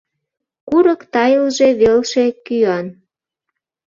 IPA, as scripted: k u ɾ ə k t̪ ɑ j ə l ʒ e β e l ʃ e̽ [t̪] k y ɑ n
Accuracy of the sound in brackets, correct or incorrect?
incorrect